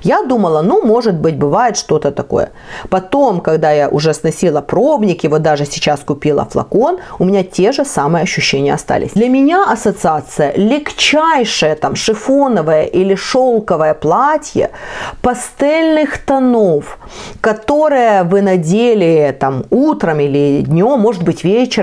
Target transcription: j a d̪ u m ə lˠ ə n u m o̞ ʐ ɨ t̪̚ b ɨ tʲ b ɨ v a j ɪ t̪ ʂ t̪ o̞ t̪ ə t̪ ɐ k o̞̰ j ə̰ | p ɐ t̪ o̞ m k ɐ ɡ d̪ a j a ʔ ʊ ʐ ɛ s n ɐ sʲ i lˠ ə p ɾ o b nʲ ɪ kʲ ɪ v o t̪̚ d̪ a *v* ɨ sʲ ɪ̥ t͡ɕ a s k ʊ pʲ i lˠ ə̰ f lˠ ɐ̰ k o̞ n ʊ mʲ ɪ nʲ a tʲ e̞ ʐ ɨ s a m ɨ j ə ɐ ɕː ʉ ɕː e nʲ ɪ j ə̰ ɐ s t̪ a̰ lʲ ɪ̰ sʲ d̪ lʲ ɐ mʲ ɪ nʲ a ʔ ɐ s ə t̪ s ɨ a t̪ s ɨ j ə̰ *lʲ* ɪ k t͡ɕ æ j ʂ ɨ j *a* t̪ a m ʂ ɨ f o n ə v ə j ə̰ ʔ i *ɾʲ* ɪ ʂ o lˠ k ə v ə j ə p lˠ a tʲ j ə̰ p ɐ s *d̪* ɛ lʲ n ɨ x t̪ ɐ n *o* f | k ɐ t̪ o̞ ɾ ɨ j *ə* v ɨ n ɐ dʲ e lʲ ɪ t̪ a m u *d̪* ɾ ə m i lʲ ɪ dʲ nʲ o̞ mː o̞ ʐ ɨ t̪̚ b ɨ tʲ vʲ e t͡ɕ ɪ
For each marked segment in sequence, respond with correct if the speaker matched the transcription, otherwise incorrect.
incorrect: ʐ, correct, incorrect: ə, incorrect: lʲ, incorrect: t̪, correct, correct, incorrect: t̪

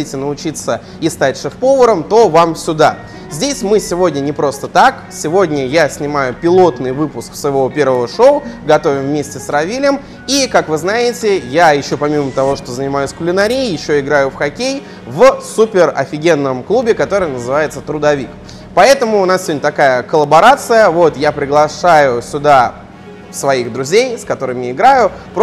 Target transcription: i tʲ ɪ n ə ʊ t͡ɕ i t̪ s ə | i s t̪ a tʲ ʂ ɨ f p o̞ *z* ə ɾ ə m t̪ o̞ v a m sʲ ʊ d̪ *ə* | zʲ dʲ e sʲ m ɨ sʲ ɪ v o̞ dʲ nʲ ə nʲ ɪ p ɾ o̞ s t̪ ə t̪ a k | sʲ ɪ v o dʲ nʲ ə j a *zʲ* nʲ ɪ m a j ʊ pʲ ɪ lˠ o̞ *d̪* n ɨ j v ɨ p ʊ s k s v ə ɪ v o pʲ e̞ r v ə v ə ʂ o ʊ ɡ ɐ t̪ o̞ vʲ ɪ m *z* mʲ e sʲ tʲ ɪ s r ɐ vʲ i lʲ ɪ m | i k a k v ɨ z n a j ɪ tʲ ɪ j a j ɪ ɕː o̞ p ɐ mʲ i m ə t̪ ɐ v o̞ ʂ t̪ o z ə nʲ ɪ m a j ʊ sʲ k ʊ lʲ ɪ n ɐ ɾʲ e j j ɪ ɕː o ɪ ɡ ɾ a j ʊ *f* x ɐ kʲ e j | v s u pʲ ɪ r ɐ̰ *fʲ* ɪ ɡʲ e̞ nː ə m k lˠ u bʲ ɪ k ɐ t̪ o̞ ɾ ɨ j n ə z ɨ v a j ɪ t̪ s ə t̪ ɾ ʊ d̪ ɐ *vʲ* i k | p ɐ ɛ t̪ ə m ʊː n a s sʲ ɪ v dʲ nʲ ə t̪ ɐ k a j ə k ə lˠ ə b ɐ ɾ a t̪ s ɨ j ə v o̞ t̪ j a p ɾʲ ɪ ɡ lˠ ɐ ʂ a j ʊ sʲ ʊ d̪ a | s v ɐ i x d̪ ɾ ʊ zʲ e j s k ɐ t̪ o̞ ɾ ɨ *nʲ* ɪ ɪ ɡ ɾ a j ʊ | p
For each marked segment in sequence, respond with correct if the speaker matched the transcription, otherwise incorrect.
incorrect: v, incorrect: a, incorrect: sʲ, incorrect: t̪, incorrect: v, correct, correct, correct, incorrect: mʲ

